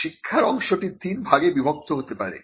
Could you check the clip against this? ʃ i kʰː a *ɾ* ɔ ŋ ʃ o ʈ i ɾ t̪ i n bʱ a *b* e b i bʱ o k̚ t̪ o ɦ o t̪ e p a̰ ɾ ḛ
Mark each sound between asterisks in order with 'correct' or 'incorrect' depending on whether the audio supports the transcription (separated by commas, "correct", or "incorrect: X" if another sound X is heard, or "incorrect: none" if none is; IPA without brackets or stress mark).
correct, incorrect: ɡ